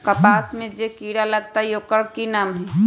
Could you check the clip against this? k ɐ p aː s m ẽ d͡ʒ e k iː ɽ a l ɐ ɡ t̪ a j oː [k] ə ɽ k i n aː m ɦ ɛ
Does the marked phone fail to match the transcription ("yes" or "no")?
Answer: no